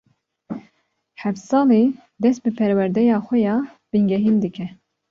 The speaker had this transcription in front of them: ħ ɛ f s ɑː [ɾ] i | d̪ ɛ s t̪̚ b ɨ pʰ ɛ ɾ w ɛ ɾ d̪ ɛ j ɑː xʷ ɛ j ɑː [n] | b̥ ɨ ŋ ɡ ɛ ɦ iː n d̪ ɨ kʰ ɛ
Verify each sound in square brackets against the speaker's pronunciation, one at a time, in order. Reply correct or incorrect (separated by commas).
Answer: incorrect, incorrect